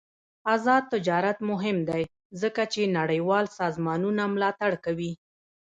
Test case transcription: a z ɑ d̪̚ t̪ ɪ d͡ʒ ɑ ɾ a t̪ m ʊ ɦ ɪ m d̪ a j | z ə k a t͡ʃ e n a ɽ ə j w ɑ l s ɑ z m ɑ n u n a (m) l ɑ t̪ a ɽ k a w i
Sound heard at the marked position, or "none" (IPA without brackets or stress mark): m